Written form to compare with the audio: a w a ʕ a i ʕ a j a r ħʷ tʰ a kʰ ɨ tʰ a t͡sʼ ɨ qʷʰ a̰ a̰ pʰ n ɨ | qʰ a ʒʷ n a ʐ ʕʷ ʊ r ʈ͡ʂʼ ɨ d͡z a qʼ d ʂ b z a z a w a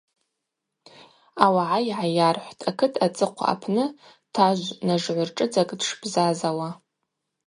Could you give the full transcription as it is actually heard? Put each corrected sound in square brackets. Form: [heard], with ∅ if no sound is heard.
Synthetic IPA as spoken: a w a ʕ a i ʕ a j a r ħʷ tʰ a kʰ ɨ tʰ a t͡sʼ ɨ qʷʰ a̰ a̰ pʰ n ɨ | [tʰ] a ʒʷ n a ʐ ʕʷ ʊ r ʈ͡ʂʼ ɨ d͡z a [kʼ] d ʂ b z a z a w a